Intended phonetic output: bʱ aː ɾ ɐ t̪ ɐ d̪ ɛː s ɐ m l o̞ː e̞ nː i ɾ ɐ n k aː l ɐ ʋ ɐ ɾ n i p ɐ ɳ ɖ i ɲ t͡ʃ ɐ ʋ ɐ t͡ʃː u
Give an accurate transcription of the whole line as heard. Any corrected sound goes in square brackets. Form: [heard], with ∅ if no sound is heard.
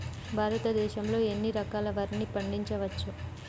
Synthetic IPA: bʱ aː ɾ ɐ t̪ ɐ d̪ ɛː [ʃ] ɐ m l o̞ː e̞ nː i ɾ ɐ [∅] k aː l ɐ ʋ ɐ ɾ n i p ɐ ɳ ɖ i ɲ t͡ʃ ɐ ʋ ɐ t͡ʃː u